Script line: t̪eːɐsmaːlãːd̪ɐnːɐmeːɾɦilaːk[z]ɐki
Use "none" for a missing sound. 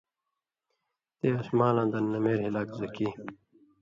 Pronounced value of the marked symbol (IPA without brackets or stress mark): z